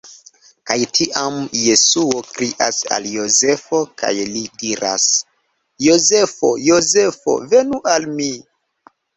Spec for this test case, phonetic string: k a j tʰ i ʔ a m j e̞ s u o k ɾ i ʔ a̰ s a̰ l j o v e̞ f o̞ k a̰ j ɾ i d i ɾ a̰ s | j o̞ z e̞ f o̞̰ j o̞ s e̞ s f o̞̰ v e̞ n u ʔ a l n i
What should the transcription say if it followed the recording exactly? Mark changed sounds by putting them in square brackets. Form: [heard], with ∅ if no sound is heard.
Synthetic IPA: k a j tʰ i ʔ a m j e̞ s u o k ɾ i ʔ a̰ s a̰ l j o [z] e̞ f o̞ k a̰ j [l] i d i ɾ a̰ s | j o̞ z e̞ f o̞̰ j o̞ [z] e̞ [∅] f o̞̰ v e̞ n u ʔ a l [m] i

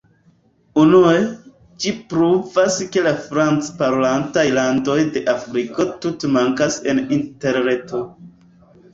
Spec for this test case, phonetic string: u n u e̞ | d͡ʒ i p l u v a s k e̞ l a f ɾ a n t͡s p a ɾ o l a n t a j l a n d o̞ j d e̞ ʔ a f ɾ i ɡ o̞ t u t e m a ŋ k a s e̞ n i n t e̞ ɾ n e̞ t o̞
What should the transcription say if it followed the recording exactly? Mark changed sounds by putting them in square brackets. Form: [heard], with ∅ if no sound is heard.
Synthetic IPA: u n u e̞ | d͡ʒ i p [ɾ] u v a s k e̞ l a f ɾ a n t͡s p a ɾ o l a n t a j l a n d o̞ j d e̞ ʔ a f ɾ i [k] o̞ t u t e m a ŋ k a s e̞ n i n t e̞ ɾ n e̞ t o̞

